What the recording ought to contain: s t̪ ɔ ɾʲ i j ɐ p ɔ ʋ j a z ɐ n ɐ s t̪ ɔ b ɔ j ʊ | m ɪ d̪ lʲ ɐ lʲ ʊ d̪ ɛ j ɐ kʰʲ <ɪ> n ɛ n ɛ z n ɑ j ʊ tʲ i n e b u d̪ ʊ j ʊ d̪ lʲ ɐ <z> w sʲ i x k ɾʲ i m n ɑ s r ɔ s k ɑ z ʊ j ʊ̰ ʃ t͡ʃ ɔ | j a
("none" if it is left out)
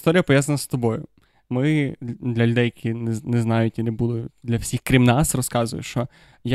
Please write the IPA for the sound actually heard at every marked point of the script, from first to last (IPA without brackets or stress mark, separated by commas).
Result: i, none